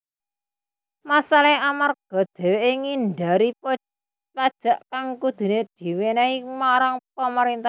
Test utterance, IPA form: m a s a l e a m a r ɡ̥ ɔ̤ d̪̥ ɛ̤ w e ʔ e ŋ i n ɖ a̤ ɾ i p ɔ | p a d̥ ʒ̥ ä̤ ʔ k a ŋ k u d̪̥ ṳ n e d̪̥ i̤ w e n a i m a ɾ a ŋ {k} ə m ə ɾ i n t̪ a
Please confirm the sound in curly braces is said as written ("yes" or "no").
no